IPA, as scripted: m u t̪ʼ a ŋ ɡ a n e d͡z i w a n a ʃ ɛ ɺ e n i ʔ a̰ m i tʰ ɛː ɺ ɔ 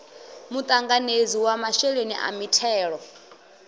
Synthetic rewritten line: m u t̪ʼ a ŋ ɡ a n e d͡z i w a m a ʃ ɛ ɺ e n i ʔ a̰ m i tʰ ɛː ɺ ɔ